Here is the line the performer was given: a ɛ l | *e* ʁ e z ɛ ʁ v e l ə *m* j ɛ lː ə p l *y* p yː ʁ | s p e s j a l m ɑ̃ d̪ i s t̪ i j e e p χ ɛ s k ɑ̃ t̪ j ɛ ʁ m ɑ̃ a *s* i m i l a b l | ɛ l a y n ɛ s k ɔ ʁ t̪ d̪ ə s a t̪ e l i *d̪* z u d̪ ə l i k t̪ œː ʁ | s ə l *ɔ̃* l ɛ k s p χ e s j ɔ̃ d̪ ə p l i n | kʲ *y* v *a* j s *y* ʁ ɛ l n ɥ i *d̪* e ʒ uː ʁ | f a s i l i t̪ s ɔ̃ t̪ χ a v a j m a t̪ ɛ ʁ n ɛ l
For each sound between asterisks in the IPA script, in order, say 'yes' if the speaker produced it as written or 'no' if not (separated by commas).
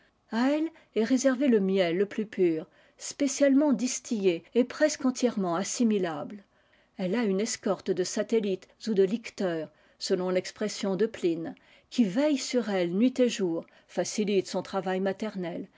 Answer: no, yes, yes, yes, no, yes, no, no, yes, no